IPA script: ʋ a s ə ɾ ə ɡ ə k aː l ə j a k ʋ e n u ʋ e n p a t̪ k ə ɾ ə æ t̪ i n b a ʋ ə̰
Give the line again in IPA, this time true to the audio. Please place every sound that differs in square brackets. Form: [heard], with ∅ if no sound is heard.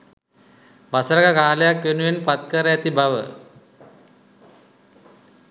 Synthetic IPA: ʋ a s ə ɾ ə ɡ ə k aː l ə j a k ʋ e n u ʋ e n p a t̪ k ə ɾ ə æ t̪ i [∅] b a ʋ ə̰